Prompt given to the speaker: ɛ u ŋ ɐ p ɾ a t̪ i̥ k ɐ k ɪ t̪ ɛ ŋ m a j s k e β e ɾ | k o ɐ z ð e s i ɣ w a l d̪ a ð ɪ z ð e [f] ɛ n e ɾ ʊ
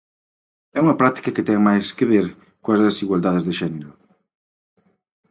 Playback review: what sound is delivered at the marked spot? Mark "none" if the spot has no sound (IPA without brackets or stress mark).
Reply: ʃ